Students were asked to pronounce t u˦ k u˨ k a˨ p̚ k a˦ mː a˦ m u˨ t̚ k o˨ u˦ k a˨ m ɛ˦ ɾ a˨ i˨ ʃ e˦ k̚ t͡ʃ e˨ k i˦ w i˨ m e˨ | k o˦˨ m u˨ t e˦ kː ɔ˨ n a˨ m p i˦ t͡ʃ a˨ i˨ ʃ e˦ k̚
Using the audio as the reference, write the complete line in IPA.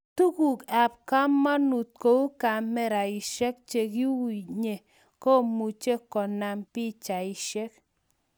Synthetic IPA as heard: t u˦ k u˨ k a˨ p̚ k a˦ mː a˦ n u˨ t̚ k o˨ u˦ k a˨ m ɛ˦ ɾ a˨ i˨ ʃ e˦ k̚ t͡ʃ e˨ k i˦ w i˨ ɲ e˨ | k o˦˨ m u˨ t͡ʃ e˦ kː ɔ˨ n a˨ m p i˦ t͡ʃ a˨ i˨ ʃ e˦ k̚